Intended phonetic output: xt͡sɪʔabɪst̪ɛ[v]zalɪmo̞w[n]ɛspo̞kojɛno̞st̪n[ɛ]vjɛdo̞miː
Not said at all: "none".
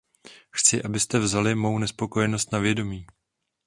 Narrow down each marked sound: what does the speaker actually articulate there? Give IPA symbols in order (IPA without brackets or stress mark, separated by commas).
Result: v, n, a